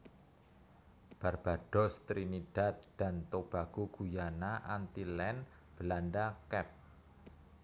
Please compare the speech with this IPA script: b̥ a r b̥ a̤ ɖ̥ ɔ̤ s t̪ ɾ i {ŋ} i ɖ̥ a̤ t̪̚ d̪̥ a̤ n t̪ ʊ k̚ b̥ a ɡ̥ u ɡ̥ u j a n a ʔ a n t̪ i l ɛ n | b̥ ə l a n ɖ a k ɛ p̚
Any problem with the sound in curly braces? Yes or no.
yes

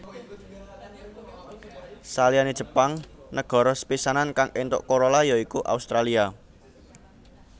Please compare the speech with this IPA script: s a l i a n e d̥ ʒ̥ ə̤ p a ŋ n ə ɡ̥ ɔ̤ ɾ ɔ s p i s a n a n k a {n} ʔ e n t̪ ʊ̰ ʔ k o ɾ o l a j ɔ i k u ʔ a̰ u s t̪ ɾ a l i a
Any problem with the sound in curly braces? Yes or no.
yes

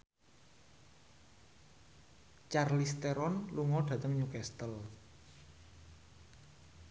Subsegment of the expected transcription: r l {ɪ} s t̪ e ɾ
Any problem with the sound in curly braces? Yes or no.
yes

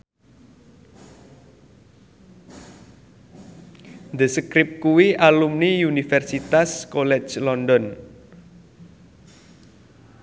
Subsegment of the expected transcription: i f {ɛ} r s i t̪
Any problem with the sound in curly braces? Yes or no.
no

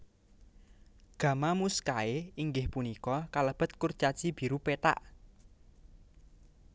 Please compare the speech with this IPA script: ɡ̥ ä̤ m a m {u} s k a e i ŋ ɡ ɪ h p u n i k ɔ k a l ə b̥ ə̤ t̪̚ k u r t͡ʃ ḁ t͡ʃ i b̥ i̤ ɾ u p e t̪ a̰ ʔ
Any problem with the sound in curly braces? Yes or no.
no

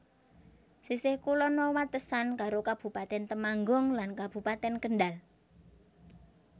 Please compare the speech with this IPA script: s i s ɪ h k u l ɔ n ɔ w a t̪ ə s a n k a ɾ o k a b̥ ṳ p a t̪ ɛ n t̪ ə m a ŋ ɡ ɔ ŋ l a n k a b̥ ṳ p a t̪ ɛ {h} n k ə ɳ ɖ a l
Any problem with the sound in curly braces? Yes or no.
yes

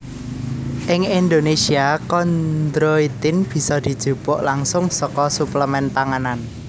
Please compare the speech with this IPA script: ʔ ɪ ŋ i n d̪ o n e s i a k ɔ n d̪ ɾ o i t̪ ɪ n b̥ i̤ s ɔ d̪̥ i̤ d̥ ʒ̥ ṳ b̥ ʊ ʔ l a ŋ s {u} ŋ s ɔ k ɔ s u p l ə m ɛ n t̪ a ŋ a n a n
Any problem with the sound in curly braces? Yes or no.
yes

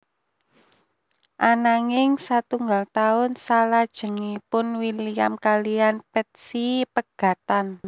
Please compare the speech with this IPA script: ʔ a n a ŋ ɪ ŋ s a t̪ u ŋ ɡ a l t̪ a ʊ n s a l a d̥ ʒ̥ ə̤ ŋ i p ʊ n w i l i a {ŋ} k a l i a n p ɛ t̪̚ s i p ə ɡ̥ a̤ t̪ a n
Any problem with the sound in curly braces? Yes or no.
yes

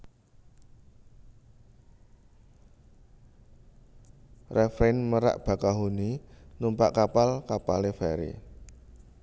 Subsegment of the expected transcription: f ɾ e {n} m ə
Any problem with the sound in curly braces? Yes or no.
no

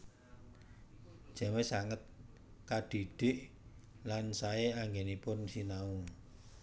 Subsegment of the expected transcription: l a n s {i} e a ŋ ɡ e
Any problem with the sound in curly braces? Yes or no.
yes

